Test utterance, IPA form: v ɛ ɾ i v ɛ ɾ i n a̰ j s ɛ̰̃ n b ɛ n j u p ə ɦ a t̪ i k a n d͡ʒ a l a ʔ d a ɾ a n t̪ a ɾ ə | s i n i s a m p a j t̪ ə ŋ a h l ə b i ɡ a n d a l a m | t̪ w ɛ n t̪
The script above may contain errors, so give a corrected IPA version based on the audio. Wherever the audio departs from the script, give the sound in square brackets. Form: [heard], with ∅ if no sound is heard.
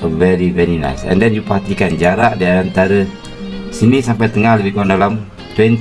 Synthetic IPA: v ɛ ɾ i v ɛ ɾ i n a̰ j s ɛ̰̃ n [d] ɛ n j u p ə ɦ a t̪ i k a n d͡ʒ a [ɾ] a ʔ d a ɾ a n t̪ a ɾ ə | s i n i s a m p a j t̪ ə ŋ a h l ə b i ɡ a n d a l a m | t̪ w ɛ n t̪